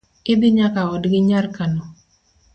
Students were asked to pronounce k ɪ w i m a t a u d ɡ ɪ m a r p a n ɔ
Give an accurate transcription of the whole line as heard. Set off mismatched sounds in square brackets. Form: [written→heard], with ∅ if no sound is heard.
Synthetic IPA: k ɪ [w→b] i [m→ɲ] a [t→k] a [u→ɔ] d ɡ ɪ [m→ɲ] a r [p→k] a n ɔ